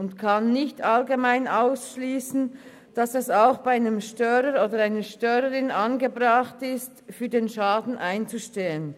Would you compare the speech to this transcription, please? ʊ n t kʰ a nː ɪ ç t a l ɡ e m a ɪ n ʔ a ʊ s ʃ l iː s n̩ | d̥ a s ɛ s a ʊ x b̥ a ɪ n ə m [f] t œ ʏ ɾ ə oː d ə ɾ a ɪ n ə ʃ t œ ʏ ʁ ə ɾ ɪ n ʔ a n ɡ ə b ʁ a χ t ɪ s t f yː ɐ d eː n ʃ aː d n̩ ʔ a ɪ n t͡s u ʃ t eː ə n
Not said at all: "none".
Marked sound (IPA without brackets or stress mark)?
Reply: ʃ